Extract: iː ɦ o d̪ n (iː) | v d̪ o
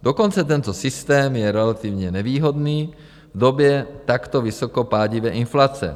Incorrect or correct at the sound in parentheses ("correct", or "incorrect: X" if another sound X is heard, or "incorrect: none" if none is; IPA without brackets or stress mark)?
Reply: correct